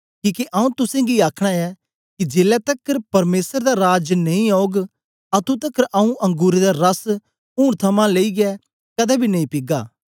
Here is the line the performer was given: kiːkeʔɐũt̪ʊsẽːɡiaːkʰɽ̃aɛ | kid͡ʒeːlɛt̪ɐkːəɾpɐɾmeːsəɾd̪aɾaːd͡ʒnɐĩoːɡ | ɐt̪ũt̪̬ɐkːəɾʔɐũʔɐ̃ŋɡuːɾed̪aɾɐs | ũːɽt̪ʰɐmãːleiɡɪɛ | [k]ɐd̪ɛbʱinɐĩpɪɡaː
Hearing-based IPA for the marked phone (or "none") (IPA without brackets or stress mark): k